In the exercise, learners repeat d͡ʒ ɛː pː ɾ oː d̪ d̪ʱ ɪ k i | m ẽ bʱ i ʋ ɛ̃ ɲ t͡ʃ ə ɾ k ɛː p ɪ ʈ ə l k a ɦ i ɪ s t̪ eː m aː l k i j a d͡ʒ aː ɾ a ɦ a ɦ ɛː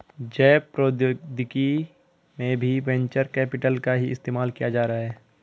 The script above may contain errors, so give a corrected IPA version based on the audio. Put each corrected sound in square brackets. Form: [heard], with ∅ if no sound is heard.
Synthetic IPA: d͡ʒ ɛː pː ɾ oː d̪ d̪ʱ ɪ k i | m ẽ bʱ i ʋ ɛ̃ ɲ t͡ʃ ə ɾ k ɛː p ɪ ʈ ə l k a ɦ i ɪ s t̪ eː m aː l k i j a d͡ʒ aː ɾ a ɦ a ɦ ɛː